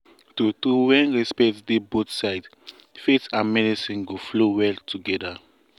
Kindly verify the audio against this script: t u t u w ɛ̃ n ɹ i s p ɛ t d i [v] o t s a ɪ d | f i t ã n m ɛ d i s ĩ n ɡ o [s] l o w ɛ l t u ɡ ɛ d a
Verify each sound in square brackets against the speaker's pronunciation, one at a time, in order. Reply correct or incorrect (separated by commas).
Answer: incorrect, incorrect